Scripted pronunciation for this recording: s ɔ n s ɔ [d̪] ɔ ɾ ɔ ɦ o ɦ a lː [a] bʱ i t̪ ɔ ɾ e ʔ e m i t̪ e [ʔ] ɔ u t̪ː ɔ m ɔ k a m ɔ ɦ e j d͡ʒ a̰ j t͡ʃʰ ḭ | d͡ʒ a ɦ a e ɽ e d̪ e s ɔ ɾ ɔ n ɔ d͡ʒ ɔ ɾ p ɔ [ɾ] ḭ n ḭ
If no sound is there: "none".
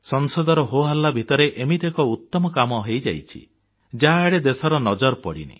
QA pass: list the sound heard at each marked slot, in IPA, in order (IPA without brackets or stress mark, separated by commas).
d̪, a, k, ɽ